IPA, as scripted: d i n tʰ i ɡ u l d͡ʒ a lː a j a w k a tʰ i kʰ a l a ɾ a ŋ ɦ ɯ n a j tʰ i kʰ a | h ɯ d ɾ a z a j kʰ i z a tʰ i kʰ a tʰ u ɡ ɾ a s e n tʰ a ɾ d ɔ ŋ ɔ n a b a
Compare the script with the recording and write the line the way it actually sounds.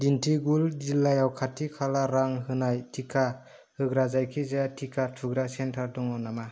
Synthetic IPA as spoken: d i n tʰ i ɡ u l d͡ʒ i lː a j a w kʰ a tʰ i kʰ a l a ɾ a ŋ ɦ ɯ n a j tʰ i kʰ a | h ɯ ɡ ɾ a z a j kʰ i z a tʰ i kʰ a tʰ u ɡ ɾ a s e n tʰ a ɾ d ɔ ŋ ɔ n a m a